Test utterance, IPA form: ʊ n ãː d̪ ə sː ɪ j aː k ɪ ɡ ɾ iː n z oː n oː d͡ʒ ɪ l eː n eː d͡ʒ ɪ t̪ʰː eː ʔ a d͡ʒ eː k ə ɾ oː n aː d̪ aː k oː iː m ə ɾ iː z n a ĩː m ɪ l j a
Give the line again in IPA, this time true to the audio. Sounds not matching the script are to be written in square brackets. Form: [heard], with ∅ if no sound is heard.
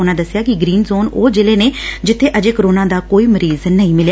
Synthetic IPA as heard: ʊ n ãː d̪ ə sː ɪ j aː k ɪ ɡ ɾ iː n z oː n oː d͡ʒ ɪ l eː n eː d͡ʒ ɪ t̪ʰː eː ʔ [ə] d͡ʒ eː k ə ɾ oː n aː d̪ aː k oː iː m ə ɾ iː z n [ə] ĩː m ɪ l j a